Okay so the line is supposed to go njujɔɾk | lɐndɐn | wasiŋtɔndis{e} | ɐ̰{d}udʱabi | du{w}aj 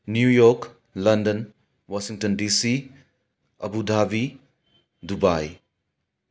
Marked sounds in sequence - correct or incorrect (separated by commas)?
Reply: incorrect, incorrect, incorrect